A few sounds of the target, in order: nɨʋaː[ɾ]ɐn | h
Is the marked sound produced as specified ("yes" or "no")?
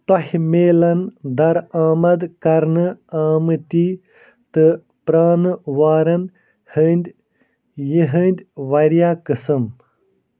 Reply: yes